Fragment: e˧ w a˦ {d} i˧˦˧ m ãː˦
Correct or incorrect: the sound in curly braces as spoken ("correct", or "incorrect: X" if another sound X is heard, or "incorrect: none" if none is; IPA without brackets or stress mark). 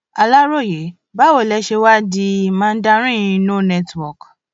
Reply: correct